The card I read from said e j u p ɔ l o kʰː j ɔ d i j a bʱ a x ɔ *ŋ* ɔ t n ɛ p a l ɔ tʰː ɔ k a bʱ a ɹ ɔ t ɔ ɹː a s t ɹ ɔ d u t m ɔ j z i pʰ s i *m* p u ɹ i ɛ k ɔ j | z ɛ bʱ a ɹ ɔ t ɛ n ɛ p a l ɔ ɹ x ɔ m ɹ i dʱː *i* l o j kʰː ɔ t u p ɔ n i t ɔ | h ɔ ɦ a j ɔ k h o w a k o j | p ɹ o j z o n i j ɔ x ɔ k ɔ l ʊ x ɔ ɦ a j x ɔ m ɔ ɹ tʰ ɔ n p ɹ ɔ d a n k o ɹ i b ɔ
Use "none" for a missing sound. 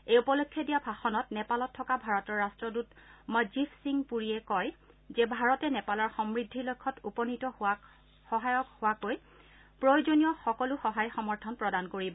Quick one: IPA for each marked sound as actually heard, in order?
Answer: n, ŋ, i

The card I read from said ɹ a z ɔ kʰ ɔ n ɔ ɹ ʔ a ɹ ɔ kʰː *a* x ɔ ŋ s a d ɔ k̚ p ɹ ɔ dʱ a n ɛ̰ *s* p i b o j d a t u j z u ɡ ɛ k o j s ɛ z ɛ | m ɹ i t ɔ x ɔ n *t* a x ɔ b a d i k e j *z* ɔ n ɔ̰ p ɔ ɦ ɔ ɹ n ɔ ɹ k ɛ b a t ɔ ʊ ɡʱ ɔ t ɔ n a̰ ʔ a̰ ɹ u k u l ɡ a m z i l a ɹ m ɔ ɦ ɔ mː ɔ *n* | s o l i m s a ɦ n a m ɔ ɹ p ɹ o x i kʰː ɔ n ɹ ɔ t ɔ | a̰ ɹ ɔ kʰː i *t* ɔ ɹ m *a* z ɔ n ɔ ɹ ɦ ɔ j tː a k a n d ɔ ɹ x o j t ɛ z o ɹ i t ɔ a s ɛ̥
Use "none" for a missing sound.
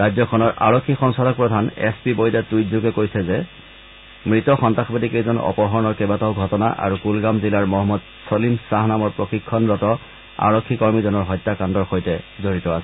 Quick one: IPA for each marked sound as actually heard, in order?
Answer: i, s, t, z, d, k, i

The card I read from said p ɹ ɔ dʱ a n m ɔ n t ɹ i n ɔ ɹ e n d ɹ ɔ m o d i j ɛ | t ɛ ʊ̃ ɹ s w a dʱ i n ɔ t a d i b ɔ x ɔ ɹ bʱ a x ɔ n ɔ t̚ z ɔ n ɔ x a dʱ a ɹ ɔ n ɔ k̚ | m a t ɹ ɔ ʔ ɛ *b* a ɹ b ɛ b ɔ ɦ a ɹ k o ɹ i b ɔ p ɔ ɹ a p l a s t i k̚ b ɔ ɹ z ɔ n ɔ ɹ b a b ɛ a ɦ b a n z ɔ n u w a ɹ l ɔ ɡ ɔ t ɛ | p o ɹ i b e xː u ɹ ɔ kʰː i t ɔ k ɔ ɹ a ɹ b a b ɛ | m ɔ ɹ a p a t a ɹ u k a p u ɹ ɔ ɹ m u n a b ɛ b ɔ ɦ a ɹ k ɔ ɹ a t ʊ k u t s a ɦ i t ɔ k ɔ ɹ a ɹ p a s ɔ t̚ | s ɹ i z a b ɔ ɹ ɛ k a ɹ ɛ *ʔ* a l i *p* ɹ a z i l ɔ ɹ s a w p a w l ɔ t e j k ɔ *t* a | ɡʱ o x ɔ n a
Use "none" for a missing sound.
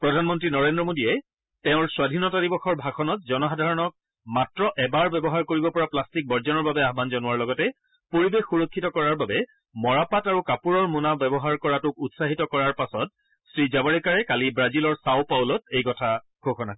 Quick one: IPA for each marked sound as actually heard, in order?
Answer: b, k, b, tʰ

